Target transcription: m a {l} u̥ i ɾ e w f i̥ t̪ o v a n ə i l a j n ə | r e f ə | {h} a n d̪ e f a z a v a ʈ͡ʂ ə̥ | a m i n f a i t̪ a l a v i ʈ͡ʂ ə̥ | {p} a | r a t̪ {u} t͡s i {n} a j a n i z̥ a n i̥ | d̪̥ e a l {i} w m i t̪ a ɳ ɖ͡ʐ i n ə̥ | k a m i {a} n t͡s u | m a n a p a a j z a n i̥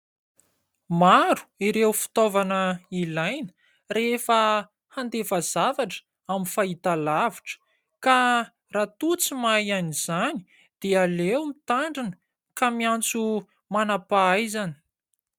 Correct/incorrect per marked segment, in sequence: incorrect: ɾ, correct, incorrect: k, correct, incorrect: m, incorrect: e, correct

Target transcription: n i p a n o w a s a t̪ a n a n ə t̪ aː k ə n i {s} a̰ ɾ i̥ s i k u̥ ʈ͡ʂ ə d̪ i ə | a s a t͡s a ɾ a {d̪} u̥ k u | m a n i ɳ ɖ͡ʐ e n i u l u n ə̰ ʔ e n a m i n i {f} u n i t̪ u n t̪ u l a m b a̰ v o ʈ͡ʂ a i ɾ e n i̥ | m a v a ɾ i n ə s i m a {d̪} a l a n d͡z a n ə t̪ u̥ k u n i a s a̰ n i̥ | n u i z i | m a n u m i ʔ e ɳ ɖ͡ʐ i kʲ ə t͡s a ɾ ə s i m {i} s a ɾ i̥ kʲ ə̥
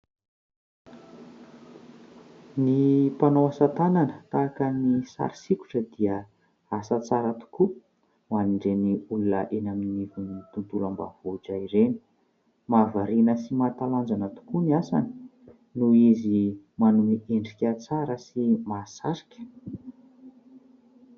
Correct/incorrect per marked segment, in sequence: correct, incorrect: t̪, incorrect: v, incorrect: t̪, incorrect: a

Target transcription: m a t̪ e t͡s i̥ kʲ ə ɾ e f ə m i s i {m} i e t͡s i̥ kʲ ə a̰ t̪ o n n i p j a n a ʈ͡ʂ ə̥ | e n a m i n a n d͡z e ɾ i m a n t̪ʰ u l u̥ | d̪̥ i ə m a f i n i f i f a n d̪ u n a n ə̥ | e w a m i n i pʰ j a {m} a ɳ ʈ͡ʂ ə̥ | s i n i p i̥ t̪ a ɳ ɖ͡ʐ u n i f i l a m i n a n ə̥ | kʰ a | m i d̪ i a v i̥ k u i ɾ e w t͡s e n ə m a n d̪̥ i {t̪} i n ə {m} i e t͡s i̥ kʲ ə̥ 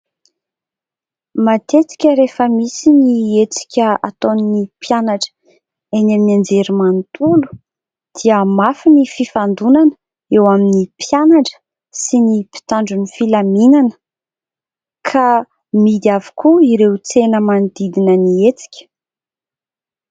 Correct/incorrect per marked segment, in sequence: incorrect: n, incorrect: n, incorrect: d̪, incorrect: n

